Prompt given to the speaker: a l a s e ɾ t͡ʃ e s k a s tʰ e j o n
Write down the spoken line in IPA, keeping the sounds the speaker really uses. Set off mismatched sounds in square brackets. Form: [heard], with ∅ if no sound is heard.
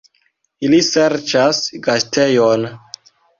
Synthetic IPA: [i] l [i] s e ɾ t͡ʃ [a] s [ɡ] a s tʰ e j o n